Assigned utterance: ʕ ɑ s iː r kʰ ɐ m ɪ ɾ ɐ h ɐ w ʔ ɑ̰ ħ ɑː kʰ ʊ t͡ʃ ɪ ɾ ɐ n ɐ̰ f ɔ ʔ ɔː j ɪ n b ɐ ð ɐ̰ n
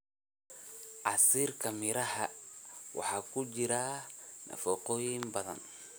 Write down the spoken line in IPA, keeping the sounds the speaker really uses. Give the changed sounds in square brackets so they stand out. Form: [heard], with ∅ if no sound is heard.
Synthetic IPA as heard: ʕ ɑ s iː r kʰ ɐ m ɪ ɾ ɐ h ɐ w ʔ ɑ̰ ħ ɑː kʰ ʊ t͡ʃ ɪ ɾ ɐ n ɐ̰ f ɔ [q] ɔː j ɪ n b ɐ ð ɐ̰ n